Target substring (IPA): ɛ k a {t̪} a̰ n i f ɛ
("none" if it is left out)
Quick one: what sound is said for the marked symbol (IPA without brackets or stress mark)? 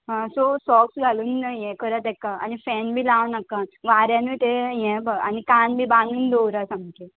none